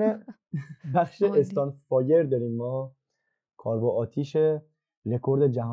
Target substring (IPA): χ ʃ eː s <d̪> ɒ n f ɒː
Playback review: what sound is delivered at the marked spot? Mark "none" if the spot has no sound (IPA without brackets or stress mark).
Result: t̪